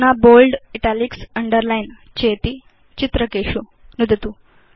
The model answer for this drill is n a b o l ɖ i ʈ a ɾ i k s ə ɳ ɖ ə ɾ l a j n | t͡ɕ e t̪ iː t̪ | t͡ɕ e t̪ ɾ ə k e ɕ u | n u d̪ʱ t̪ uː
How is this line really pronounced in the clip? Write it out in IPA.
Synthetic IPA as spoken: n a b o l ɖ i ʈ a l i k s ə ɳ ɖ ə ɾ l a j n | t͡ɕ e t̪ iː | t͡ɕ i t̪ ɾ ə k e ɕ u | n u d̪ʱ t̪ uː